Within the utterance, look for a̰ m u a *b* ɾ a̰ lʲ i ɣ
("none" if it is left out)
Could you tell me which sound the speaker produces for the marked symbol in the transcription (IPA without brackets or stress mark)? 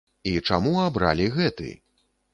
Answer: b